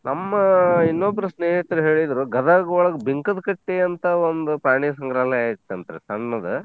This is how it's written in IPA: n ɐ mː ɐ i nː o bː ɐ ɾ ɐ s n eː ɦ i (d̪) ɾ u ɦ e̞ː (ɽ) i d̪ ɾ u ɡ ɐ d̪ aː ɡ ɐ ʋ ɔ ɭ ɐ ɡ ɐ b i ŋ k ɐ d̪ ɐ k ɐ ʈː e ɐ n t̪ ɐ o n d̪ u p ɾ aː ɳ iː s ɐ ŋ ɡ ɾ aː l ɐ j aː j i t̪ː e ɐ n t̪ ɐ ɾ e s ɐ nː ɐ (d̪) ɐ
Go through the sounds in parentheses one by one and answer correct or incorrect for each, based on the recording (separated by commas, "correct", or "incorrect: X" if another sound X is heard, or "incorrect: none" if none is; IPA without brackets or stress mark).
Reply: incorrect: t̪, incorrect: ɭ, correct